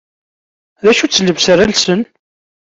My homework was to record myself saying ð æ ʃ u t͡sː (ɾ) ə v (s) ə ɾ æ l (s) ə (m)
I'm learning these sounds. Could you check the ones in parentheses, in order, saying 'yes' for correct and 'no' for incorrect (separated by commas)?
no, yes, yes, no